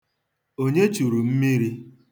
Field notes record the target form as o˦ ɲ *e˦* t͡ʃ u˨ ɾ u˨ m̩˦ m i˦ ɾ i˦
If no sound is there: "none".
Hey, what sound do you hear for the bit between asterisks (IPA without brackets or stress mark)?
e˦